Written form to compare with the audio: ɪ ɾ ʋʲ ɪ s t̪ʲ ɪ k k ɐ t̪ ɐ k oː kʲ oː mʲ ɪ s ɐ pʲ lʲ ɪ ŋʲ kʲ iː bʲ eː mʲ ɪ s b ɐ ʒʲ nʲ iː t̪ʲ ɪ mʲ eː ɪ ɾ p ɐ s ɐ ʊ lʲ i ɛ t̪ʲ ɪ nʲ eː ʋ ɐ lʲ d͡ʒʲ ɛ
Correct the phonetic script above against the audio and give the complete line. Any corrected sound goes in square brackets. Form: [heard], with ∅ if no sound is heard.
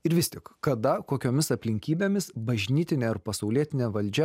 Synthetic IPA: ɪ ɾ ʋʲ ɪ s t̪ʲ ɪ k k ɐ [d̪] ɐ k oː kʲ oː mʲ ɪ s ɐ pʲ lʲ ɪ ŋʲ kʲ iː bʲ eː mʲ ɪ s b ɐ ʒʲ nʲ iː t̪ʲ ɪ [nʲ] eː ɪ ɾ p ɐ s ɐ ʊ lʲ i ɛ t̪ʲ ɪ nʲ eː ʋ ɐ lʲ d͡ʒʲ ɛ